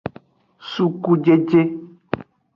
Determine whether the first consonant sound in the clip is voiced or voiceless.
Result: voiceless